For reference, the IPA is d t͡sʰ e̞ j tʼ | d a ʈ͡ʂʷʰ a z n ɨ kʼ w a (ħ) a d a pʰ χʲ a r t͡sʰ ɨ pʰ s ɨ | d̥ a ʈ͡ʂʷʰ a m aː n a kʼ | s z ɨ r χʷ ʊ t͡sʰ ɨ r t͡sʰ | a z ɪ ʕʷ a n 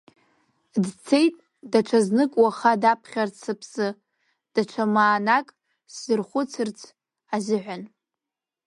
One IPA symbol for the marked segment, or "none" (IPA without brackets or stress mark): χ